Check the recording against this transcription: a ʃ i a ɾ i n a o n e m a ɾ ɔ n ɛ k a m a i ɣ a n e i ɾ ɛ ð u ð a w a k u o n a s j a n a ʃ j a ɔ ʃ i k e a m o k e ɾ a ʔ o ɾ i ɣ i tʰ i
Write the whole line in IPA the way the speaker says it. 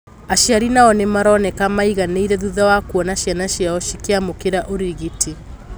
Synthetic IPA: a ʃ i a ɾ i n a ɔ n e m a ɾ ɔ n ɛ k a m a i ɣ a n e i ɾ ɛ ð u ð a w a k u ɔ n a ʃ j a n a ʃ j a ɔ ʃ i k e a m o k e ɾ a ʔ o ɾ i ɣ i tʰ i

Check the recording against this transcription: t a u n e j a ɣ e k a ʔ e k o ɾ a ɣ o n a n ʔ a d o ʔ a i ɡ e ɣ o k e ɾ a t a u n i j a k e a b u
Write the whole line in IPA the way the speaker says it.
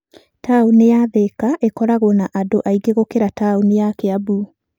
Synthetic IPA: t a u n e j a ð e k a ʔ e k ɔ ɾ a ɣ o n a ʔ a d o ʔ a i ɡ e ɣ o k e ɾ a t a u n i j a k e a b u

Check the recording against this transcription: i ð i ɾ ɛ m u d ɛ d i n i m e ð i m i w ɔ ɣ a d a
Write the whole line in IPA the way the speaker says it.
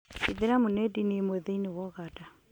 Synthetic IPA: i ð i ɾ a m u n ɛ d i n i m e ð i n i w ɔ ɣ a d a

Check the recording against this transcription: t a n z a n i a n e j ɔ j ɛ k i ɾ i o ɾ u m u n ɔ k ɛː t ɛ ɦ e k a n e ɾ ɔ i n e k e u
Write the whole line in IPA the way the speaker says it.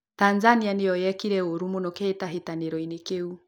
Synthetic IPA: t a n z a n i a n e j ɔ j ɛ k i ɾ ɛ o ɾ u m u n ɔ k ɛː t a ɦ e t a n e ɾ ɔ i n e k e u

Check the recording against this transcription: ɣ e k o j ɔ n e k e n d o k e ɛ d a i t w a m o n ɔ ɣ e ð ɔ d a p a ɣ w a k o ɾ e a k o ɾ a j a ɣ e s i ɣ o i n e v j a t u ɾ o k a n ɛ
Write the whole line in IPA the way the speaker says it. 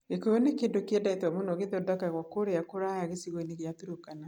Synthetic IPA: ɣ e k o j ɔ n e k e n d o k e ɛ d a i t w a m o n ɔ ɣ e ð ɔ d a k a ɣ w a k o ɾ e a k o ɾ a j a ɣ e s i ɣ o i n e ɣ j a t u ɾ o k a n a

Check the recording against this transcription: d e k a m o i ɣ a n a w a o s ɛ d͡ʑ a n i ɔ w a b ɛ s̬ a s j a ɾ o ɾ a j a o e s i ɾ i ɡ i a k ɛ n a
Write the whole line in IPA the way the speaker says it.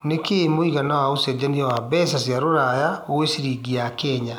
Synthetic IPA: n e k e m o i ɣ a n a w a o s ɛ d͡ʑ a n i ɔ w a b ɛ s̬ a s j a ɾ o ɾ a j a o e s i ɾ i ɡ i a k ɛ ɲ a

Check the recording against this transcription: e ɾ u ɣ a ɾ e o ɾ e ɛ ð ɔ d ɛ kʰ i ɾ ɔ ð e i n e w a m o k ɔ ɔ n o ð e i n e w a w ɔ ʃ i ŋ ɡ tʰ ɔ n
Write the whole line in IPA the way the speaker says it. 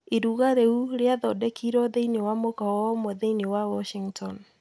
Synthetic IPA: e ɾ u ɣ a ɾ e u ɾ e a ð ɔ d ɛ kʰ i ɾ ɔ ð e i n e w a m o k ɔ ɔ m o ð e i n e w a w ɔ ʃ i ŋ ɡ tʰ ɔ n

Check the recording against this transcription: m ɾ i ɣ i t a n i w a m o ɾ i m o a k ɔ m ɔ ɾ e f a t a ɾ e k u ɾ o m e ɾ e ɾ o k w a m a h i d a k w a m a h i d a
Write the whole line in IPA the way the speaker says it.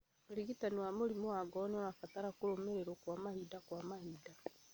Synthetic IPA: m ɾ i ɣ i t a n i w a m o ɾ i m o a ɡ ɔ n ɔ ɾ a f a t a ɾ a k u ɾ o m e ɾ e ɾ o k w a m a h i d a k w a m a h i d a

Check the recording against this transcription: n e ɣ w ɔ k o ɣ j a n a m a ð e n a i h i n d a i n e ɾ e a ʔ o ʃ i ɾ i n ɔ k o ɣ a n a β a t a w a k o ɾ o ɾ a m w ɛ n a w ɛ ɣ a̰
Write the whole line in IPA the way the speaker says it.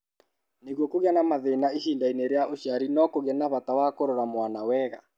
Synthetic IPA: n e ɣ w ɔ k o ɣ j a n a m a ð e n a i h i n d a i n e ɾ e a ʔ o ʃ a ɾ i n ɔ k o ɣ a n a β a t a w a k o ɾ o ɾ a m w a n a w ɛ ɣ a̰

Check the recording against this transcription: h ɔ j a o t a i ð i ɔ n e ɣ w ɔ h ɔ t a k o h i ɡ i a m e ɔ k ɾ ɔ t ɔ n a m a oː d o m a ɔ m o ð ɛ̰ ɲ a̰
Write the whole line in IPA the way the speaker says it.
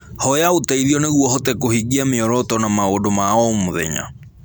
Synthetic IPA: h ɔ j a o t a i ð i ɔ n e ɣ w ɔ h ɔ t ɛ k o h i ɡ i a m e ɔ ɾ ɔ t ɔ n a m a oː d o m a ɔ m o ð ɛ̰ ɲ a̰

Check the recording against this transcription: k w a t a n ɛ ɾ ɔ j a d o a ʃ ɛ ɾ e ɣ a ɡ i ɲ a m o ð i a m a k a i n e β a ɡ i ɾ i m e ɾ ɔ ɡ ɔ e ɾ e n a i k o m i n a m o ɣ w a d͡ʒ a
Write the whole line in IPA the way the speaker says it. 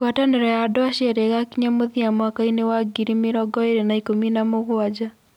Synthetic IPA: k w a t a n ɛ ɾ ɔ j a d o a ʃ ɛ ɾ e ɣ a k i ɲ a m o ð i a m a k a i n e w a ɡ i ɾ i m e ɾ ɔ ɡ ɔ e ɾ e n a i k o m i n a m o ɣ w a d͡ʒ a

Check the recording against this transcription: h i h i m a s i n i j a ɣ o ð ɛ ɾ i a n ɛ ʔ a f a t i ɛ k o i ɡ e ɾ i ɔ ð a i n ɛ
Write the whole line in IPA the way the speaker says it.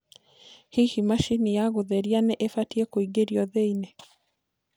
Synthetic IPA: h i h i m a ʃ i n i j a ɣ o ð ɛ ɾ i a n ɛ ʔ e f a t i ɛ k o i ɡ e ɾ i ɔ ð e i n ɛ

